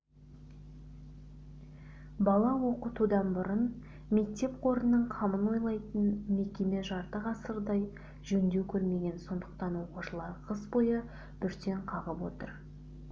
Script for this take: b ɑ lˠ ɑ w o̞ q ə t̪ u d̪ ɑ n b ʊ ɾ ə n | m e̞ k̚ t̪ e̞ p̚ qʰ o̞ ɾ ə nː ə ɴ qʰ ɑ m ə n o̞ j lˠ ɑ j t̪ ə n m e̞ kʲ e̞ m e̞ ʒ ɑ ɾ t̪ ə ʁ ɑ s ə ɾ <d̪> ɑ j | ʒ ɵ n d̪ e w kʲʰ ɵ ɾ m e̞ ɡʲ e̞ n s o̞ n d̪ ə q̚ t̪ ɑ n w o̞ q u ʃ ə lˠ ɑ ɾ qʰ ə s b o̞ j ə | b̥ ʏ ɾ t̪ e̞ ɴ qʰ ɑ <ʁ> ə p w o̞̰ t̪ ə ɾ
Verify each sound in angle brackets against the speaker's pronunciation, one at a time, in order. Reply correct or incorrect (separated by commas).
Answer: correct, correct